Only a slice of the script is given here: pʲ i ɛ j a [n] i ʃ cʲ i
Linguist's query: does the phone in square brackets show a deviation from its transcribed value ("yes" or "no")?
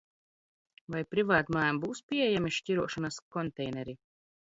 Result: yes